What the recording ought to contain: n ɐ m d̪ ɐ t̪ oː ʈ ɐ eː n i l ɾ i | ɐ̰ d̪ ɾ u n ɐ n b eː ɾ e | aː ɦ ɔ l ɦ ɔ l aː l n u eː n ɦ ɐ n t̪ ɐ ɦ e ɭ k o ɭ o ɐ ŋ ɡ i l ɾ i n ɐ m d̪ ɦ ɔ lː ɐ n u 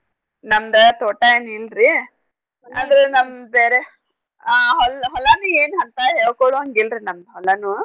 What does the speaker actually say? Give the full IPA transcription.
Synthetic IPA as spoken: n ɐ m d̪ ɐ t̪ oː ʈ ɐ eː n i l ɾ i | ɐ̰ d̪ ɾ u n ɐ m b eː ɾ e | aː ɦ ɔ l ɦ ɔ l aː n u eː n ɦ ɐ n t̪ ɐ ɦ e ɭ k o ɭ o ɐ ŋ ɡ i l ɾ i n ɐ m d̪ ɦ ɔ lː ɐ n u